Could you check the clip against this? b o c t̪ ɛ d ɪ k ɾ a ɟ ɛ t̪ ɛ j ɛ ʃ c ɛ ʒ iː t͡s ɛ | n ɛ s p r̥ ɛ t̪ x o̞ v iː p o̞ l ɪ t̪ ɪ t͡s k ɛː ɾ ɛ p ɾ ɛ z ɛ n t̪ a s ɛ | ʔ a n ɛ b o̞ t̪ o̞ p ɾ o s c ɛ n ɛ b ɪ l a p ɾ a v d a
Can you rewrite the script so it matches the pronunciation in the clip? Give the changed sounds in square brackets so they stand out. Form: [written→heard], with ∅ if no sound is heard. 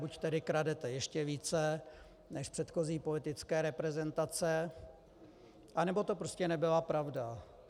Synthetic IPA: b [o→u] c t̪ ɛ d ɪ k ɾ a [ɟ→d] ɛ t̪ ɛ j ɛ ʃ c ɛ [ʒ→v] iː t͡s ɛ | n ɛ [s→ʃ] p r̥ ɛ t̪ x o̞ [v→z] iː p o̞ l ɪ t̪ ɪ t͡s k ɛː ɾ ɛ p ɾ ɛ z ɛ n t̪ a [s→t͡s] ɛ | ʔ a n ɛ b o̞ t̪ o̞ p ɾ o s c ɛ n ɛ b ɪ l a p ɾ a v d a